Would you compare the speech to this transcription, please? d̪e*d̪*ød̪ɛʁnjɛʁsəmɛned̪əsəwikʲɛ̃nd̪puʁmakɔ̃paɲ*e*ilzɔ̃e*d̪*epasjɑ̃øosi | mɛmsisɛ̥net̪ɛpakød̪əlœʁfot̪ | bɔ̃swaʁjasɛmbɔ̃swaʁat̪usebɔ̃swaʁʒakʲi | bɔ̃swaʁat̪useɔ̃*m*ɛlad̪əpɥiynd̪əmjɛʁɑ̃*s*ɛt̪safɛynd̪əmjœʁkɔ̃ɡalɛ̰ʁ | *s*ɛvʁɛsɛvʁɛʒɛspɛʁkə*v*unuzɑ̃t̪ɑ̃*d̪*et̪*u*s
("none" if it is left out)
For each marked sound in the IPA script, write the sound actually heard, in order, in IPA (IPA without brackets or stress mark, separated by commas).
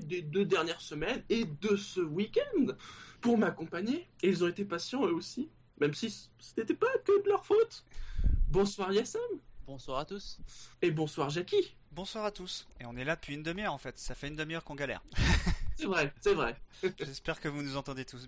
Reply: d̪, e, t̪, n, f, s, v, d̪, u